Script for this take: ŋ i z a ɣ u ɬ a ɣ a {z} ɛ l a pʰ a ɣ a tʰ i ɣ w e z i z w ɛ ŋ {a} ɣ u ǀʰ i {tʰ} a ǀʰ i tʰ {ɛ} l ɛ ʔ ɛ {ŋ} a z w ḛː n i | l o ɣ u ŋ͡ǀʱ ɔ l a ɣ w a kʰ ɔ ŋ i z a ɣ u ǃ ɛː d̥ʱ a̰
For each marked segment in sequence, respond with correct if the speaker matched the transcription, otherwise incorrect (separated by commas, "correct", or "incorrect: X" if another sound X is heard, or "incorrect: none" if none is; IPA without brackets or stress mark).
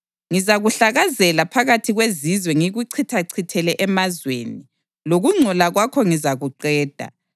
correct, incorrect: i, correct, correct, incorrect: m